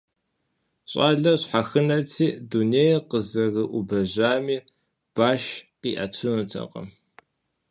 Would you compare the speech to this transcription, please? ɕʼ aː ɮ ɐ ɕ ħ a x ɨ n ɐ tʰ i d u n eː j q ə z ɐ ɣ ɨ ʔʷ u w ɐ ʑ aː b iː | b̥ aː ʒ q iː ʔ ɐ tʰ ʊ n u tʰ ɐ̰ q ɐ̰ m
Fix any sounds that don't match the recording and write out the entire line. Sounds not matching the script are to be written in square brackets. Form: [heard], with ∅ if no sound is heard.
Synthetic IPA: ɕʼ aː ɮ ɐ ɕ ħ a x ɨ n ɐ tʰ [iː] d u n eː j q ə z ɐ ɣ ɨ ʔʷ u [b] ɐ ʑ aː [m] iː | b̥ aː [ʃ] q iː ʔ ɐ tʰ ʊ n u tʰ ɐ̰ q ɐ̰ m

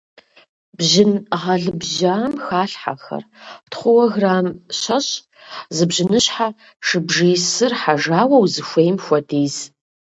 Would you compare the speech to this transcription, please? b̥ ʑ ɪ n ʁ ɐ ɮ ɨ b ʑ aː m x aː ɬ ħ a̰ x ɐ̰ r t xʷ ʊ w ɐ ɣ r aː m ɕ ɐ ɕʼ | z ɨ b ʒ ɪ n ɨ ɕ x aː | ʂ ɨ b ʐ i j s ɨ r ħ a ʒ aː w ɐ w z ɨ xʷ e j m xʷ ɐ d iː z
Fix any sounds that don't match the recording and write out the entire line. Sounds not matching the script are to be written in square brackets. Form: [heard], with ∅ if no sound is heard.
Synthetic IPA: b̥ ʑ ɪ n ʁ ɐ ɮ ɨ b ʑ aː m x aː ɬ ħ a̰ x ɐ̰ r t [χʷ] ʊ w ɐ ɣ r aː m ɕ ɐ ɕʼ | z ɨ b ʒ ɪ n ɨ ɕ [ħ] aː | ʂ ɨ b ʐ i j s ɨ r ħ a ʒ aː w ɐ w z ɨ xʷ e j m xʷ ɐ d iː z

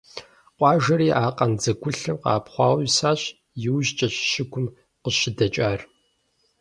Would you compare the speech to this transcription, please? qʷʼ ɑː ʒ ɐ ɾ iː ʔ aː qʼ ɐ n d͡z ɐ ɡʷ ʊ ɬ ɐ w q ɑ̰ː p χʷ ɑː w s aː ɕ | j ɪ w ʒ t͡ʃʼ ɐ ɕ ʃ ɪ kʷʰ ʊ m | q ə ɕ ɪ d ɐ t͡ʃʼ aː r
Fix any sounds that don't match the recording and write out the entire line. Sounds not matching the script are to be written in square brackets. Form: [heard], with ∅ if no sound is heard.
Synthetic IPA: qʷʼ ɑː ʒ ɐ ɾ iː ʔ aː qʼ ɐ n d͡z ɐ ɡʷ ʊ ɬ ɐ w q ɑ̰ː p χʷ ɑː w s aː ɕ | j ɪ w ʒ t͡ʃʼ ɐ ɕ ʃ ɪ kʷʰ ʊ m | q ə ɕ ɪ d ɐ t͡ʃʼ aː r

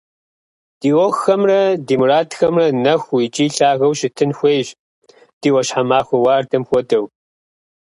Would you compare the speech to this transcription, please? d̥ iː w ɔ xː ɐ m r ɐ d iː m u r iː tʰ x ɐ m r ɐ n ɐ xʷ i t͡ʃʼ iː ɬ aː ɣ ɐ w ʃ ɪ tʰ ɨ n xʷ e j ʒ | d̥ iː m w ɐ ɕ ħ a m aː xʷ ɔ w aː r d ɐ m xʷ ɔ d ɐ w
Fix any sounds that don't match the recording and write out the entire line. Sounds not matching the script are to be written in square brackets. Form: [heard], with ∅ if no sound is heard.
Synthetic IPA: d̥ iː w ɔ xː ɐ m r ɐ d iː m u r [aː] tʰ x ɐ m r ɐ n ɐ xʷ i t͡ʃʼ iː ɬ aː ɣ ɐ w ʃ ɪ tʰ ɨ n xʷ e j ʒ | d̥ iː [∅] w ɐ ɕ ħ a m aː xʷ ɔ w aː r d ɐ m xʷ ɔ d ɐ w

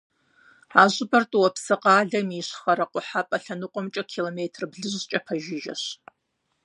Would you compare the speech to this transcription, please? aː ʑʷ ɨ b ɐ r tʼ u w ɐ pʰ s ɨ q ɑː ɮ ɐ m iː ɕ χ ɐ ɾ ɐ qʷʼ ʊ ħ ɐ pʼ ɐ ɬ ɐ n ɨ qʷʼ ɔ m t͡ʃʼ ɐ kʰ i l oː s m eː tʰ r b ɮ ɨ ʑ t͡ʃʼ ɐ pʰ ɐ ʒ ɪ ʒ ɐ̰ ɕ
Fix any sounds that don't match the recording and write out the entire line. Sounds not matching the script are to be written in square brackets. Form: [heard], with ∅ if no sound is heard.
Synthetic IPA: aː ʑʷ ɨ b ɐ r tʼ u w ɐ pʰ s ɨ q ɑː ɮ ɐ m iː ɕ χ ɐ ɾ ɐ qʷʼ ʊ ħ [a] pʼ ɐ ɬ ɐ n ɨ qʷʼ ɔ m t͡ʃʼ ɐ kʰ i l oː [∅] m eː tʰ r b ɮ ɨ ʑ t͡ʃʼ ɐ pʰ ɐ ʒ ɪ ʒ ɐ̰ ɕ

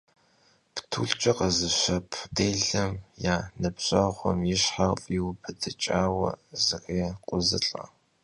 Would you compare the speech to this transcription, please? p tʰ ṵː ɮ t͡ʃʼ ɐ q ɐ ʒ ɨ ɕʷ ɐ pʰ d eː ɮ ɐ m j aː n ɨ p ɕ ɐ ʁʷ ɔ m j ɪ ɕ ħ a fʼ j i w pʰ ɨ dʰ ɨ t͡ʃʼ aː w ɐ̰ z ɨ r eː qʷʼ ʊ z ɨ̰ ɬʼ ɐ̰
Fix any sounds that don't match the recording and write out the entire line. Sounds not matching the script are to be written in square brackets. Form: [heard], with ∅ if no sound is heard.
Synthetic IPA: p tʰ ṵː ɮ t͡ʃʼ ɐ q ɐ [z] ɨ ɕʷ ɐ pʰ d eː ɮ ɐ m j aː n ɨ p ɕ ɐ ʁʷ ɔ m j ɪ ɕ ħ a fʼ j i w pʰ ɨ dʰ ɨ t͡ʃʼ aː w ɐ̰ z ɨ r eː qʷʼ ʊ z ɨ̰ ɬʼ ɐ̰

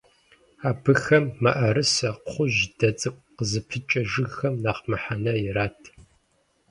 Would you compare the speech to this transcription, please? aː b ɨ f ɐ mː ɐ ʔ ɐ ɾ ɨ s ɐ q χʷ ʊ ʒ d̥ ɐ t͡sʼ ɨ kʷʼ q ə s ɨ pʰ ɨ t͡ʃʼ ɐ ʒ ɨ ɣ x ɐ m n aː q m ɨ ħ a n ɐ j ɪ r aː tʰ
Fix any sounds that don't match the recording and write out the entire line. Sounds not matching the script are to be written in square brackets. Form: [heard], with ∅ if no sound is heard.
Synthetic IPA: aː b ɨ [x] ɐ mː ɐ ʔ ɐ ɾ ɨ s ɐ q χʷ ʊ ʒ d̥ ɐ t͡sʼ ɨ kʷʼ q ə [z] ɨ pʰ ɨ t͡ʃʼ ɐ ʒ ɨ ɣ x ɐ m n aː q m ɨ ħ a n ɐ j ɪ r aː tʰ

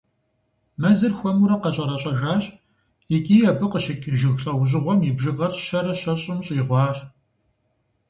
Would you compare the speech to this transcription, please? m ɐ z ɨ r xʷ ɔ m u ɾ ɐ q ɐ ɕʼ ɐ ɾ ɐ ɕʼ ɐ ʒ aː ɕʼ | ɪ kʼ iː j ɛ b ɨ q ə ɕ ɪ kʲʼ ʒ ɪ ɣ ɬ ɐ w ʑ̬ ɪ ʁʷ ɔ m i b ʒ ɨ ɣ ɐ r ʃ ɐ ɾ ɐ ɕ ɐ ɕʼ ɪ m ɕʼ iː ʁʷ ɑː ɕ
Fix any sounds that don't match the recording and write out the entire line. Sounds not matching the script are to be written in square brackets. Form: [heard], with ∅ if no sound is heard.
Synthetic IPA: m ɐ z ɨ r xʷ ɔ m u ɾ ɐ q ɐ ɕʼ ɐ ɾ ɐ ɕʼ ɐ ʒ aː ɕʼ | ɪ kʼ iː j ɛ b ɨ q ə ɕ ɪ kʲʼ ʒ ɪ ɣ ɬ ɐ w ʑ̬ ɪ ʁʷ ɔ m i b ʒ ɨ ɣ ɐ r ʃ ɐ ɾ ɐ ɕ ɐ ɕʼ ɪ m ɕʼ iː ʁʷ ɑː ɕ

